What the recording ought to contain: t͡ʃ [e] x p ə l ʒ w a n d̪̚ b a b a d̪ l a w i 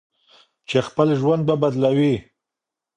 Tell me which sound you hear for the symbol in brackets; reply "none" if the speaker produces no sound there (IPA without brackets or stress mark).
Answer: e